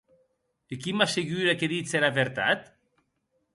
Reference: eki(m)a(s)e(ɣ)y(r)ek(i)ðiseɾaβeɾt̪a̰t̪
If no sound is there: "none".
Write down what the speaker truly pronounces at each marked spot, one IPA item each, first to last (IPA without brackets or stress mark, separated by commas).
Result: m, s, ɣ, ɾ, e